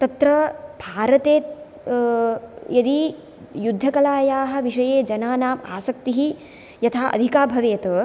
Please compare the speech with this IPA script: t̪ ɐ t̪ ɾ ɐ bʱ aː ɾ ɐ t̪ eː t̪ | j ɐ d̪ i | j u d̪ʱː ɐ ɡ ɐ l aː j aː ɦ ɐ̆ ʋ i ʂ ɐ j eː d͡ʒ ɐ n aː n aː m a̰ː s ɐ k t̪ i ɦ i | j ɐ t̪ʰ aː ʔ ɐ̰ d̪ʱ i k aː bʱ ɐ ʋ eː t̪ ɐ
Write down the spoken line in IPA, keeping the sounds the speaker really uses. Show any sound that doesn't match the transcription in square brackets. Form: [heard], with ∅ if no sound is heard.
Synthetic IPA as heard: t̪ ɐ t̪ ɾ ɐ bʱ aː ɾ ɐ t̪ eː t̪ | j ɐ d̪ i | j u d̪ʱː ɐ [k] ɐ l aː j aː ɦ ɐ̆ ʋ i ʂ ɐ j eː d͡ʒ ɐ n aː n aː m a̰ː s ɐ k t̪ i ɦ i | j ɐ t̪ʰ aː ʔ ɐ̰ d̪ʱ i k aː bʱ ɐ ʋ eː t̪ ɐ